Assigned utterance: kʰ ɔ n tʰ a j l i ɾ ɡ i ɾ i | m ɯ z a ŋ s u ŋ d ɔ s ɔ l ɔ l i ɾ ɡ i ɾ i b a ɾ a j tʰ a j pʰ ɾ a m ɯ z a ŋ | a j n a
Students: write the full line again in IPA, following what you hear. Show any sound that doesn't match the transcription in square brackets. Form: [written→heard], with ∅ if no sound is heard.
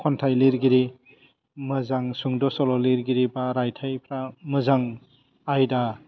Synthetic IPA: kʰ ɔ n tʰ a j l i ɾ ɡ i ɾ i | m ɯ z a ŋ s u ŋ d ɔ s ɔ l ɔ l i ɾ ɡ i ɾ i b a ɾ a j tʰ a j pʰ ɾ a m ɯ z a ŋ | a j [n→d] a